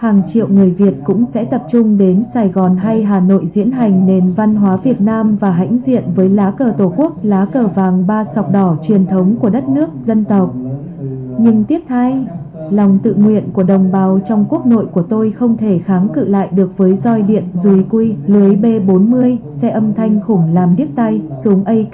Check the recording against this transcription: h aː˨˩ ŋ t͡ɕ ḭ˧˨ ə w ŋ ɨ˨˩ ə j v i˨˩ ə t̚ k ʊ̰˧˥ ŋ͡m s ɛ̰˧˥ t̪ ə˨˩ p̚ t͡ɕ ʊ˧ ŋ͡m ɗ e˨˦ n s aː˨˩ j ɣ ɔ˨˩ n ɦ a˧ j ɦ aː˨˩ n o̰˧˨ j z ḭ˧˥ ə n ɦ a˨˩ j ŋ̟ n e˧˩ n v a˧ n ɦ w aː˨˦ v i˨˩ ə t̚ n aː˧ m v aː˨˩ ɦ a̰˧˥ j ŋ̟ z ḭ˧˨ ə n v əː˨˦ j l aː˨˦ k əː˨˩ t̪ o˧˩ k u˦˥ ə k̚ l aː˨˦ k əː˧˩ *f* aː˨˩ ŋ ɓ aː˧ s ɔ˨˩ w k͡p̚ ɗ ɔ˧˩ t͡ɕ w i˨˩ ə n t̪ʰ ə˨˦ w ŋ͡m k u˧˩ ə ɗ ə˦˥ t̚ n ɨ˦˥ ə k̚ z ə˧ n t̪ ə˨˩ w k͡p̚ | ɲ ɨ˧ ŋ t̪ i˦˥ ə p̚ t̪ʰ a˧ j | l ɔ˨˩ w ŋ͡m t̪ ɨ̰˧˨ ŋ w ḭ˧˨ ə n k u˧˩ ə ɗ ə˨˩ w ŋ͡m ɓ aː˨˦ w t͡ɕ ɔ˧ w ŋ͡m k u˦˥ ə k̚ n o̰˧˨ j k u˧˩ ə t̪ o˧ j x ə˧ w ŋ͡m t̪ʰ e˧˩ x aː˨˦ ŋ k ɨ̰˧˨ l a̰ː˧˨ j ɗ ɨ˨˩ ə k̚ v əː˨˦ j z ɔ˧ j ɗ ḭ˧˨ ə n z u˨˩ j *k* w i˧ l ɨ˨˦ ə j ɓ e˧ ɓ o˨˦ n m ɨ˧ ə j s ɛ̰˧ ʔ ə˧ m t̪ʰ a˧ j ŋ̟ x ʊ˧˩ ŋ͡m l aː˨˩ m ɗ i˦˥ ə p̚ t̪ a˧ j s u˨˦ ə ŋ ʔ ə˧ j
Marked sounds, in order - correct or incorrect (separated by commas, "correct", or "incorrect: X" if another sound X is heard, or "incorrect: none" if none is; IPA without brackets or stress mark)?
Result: incorrect: v, correct